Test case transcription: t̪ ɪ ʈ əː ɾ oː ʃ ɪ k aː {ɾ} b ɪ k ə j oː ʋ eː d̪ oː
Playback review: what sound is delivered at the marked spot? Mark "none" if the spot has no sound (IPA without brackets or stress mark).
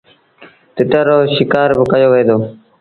ɾ